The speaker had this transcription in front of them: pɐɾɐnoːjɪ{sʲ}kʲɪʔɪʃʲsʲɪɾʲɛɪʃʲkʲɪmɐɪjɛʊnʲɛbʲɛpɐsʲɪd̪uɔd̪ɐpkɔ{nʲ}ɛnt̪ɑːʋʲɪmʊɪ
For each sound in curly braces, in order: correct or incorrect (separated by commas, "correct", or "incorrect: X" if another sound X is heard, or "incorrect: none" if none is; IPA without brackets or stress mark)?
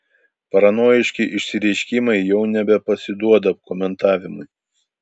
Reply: incorrect: ʃʲ, incorrect: mʲ